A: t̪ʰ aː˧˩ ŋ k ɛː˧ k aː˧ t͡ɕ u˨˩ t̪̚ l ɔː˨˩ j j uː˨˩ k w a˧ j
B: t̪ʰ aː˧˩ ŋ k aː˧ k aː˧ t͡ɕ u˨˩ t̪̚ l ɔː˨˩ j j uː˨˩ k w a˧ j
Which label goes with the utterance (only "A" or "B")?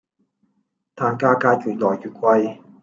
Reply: B